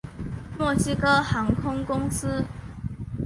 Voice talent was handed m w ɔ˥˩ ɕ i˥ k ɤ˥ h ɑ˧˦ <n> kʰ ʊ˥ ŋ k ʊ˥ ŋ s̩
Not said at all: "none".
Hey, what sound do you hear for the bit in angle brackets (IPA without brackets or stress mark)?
ŋ